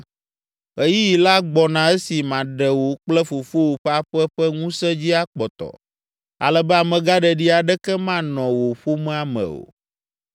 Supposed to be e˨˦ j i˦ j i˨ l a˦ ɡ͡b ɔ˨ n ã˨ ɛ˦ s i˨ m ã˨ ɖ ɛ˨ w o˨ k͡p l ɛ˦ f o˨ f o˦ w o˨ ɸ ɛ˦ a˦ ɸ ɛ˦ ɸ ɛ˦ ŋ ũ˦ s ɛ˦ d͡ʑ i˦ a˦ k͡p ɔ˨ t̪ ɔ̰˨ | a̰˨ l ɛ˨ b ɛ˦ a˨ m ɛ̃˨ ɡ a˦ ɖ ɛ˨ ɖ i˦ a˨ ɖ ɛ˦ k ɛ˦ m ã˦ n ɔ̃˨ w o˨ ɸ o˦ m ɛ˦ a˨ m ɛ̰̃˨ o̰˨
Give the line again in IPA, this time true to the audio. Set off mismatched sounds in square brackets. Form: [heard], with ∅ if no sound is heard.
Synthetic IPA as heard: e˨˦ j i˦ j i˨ l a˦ ɡ͡b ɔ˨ n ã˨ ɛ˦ s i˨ m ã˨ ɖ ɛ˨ w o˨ k͡p l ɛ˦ f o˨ f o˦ w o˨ ɸ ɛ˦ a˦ ɸ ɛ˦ ɸ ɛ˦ ŋ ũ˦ s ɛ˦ d͡ʑ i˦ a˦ k͡p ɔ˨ t̪ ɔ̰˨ | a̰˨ l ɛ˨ b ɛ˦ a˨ m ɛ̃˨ ɡ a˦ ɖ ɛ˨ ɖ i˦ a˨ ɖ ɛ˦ k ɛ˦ m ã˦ n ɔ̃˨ w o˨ ɸ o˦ m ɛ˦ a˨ m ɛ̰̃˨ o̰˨